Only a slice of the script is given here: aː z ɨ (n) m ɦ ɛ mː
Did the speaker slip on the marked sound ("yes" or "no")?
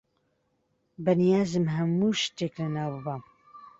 yes